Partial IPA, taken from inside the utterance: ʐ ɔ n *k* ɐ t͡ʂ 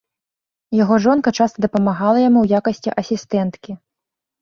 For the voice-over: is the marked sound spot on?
yes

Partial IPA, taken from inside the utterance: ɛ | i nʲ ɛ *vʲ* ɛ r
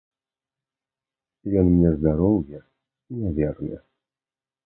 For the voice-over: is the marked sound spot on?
yes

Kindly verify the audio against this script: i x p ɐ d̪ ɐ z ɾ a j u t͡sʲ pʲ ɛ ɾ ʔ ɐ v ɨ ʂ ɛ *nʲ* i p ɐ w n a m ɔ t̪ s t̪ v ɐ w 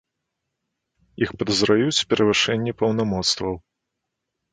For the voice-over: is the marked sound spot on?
no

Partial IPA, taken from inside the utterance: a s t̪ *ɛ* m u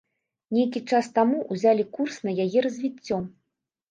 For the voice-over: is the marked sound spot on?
no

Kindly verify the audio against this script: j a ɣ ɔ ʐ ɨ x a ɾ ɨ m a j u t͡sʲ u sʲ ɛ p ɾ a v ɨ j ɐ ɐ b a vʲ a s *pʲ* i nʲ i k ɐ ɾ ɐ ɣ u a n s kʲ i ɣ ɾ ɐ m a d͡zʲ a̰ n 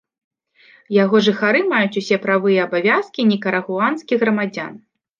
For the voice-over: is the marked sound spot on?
no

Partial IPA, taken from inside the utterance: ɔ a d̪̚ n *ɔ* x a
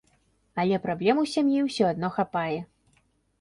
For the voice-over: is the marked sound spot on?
yes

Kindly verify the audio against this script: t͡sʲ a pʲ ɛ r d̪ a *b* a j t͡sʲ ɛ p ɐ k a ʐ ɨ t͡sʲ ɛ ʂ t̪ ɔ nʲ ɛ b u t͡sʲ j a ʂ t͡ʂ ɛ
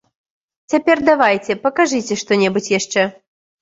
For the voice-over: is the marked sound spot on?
no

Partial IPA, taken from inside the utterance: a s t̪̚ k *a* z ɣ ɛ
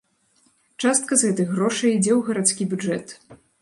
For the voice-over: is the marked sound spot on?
no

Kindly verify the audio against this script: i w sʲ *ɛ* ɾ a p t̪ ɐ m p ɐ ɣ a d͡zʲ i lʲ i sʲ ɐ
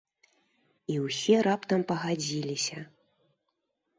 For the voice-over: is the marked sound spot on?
yes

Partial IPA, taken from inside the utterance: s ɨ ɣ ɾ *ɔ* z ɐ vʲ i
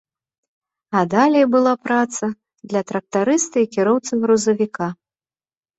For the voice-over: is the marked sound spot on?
no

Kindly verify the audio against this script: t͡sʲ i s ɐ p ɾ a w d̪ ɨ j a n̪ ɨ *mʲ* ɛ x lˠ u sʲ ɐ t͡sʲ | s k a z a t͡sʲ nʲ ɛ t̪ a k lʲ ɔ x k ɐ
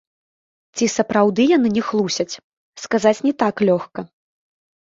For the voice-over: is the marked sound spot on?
no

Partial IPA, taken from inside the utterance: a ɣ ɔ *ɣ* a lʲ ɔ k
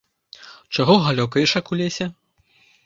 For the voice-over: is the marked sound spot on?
yes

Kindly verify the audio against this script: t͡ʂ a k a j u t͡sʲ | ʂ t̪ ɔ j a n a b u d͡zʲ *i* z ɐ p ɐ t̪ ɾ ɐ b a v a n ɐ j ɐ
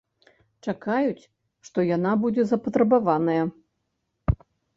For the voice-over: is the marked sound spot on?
no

